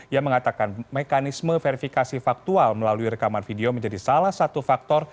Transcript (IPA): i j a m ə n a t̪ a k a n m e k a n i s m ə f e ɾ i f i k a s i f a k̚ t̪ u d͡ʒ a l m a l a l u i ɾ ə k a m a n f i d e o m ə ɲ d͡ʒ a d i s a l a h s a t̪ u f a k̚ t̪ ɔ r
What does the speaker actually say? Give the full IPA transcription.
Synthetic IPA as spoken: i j a m ə ŋ a t̪ a k a n m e k a n i s m ə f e ɾ i f i k a s i f a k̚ t̪ u a l m ə l a l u i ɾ ə k a m a n f i d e o m ə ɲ d͡ʒ a d i s a l a h s a t̪ u f a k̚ t̪ ɔ r